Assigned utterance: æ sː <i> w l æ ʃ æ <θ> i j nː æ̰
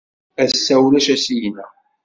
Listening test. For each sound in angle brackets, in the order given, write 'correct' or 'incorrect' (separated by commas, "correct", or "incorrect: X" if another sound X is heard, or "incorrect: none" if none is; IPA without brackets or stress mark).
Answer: incorrect: æ, incorrect: s